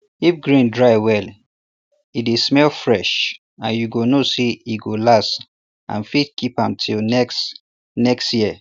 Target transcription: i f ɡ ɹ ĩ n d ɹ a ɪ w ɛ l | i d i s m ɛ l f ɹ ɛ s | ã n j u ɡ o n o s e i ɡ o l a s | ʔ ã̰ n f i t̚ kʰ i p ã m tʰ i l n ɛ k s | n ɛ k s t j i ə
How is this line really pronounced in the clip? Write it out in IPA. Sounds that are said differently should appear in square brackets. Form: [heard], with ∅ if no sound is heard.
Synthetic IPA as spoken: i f ɡ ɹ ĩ n d ɹ a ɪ w ɛ l | i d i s m ɛ l f ɹ ɛ [ʃ] | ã n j u ɡ o n o s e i ɡ o l a s | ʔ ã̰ n f i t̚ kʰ i p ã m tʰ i l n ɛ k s | n ɛ k s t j i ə